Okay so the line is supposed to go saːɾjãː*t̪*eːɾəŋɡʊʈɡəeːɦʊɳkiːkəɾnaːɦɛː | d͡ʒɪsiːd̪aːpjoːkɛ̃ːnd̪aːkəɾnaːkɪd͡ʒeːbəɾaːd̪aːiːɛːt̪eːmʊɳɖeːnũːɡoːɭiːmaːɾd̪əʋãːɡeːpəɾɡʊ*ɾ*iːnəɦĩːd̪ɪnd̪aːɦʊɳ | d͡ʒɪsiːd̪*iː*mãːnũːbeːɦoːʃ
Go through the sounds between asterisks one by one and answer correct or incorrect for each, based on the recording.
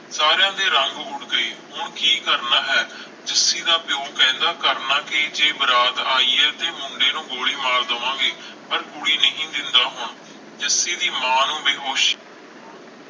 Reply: incorrect, incorrect, correct

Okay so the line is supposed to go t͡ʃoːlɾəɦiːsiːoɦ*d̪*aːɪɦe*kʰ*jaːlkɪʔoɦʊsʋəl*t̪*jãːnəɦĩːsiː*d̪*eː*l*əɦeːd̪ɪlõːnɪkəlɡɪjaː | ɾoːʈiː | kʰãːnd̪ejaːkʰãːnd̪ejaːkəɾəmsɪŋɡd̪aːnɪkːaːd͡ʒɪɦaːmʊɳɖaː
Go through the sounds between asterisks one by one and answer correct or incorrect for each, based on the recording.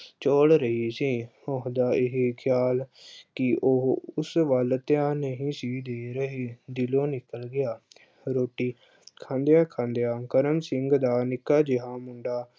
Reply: correct, correct, correct, correct, incorrect

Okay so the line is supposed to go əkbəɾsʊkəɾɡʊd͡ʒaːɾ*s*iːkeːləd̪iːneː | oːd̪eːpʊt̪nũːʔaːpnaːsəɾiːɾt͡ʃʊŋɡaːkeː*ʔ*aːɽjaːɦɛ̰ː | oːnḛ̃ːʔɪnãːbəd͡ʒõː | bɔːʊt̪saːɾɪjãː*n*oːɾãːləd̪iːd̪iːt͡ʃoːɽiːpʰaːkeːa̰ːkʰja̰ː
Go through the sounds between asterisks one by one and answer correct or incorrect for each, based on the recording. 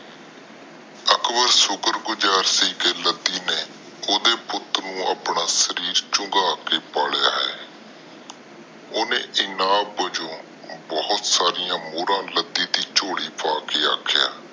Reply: correct, incorrect, incorrect

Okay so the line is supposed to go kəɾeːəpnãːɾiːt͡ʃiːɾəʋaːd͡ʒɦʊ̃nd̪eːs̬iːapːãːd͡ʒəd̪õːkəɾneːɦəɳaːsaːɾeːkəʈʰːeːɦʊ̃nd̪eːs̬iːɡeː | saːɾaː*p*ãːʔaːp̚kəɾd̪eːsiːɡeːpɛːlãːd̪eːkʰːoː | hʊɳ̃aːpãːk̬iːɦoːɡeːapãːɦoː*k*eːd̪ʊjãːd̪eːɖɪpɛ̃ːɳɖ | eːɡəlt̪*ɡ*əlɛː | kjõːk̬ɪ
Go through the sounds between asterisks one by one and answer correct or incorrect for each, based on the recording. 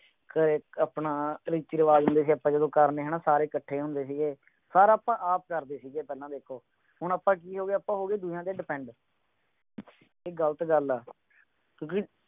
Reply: correct, incorrect, correct

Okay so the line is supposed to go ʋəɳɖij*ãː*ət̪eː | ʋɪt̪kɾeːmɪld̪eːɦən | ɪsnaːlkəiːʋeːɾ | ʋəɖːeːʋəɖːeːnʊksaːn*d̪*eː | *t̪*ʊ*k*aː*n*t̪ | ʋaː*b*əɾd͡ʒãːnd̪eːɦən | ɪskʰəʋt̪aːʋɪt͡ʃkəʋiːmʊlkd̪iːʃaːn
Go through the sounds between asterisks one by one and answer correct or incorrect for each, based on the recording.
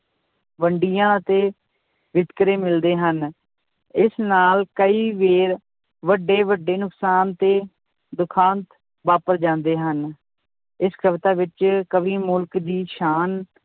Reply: correct, incorrect, incorrect, incorrect, correct, incorrect

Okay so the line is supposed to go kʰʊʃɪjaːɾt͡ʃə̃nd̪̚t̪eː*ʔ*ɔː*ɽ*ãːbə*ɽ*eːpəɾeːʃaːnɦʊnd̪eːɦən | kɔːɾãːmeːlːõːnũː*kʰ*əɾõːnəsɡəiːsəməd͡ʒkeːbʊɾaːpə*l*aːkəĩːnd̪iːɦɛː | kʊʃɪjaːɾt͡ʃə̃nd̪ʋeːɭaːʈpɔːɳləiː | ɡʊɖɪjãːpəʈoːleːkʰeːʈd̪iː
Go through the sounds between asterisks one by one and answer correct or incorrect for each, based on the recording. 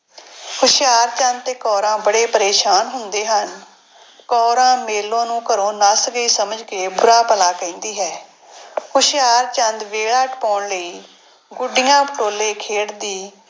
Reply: incorrect, incorrect, correct, incorrect, correct

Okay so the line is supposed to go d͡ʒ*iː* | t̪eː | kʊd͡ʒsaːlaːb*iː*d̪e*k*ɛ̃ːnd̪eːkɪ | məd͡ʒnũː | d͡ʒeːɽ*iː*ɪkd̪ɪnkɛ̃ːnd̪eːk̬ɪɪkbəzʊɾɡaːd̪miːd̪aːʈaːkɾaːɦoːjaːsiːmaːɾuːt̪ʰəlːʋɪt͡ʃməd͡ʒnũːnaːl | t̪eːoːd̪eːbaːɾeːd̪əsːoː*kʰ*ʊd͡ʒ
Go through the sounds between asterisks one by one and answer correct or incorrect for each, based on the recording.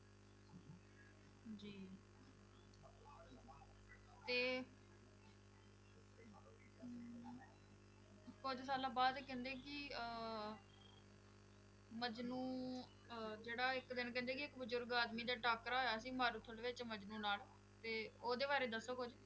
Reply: correct, incorrect, correct, incorrect, incorrect

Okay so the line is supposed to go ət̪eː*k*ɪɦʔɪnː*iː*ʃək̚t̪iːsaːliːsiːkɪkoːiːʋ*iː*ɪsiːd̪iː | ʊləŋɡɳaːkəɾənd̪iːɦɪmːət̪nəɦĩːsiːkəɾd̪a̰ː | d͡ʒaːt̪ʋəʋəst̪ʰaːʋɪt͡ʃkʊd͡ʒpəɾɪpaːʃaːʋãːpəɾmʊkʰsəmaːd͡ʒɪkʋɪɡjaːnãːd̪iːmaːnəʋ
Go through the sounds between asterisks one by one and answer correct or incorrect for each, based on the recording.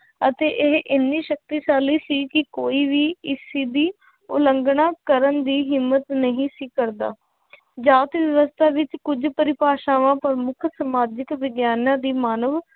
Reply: incorrect, correct, correct

